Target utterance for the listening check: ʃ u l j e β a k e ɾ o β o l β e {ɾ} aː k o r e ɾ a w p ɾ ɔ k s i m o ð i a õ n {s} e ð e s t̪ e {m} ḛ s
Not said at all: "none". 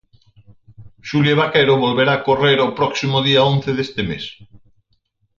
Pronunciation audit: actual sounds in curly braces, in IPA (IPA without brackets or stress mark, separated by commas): ɾ, θ, m